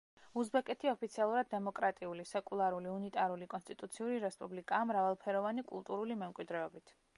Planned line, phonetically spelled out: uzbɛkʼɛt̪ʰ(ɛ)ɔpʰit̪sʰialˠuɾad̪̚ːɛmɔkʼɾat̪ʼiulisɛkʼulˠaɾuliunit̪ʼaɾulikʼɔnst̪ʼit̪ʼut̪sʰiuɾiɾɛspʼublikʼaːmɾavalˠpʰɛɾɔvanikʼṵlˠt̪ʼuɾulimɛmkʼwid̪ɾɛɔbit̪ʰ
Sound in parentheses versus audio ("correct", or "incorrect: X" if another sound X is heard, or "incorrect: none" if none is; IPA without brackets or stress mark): incorrect: i